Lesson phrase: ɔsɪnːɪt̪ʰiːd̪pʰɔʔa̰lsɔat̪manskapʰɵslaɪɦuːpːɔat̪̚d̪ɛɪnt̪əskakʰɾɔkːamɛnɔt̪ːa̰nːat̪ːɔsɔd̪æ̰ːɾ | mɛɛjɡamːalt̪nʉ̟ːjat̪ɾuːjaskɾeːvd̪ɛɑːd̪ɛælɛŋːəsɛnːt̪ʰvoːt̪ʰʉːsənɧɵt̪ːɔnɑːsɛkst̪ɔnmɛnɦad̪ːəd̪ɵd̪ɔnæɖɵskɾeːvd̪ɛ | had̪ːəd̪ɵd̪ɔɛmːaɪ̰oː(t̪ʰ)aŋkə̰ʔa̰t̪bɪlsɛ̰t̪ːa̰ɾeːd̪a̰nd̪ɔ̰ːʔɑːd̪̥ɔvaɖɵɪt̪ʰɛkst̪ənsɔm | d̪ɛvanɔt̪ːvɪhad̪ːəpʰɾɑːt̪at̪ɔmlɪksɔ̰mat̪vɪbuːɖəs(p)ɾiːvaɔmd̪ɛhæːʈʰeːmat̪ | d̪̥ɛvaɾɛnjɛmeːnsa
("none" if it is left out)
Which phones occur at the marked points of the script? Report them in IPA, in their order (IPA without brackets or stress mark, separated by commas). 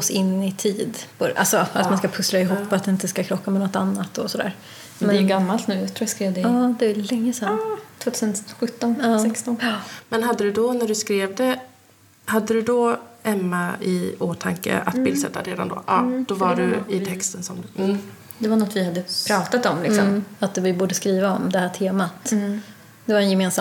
t̪ʰ, k